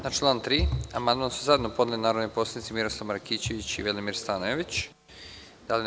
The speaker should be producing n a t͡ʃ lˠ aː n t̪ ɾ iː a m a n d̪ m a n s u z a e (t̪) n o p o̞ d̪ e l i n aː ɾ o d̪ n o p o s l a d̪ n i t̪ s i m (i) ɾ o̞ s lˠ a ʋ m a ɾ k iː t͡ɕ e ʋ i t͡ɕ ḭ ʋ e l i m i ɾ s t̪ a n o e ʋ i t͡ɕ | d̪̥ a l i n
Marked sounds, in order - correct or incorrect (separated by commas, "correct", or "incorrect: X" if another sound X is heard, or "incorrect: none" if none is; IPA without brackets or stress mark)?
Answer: incorrect: d̪, correct